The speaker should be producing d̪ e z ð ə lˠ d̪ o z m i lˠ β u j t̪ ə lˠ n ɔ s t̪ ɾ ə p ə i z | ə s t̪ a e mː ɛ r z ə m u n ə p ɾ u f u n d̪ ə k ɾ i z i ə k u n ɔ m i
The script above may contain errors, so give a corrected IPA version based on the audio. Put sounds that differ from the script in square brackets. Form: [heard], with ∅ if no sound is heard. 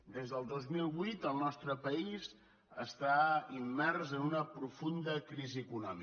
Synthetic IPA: d̪ e z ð ə lˠ d̪ o z m i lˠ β u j t̪ ə lˠ n ɔ s t̪ ɾ ə p ə i z | ə s t̪ a [i] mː ɛ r z ə [n] u n ə p ɾ u f u n d̪ ə k ɾ i z i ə k u n ɔ m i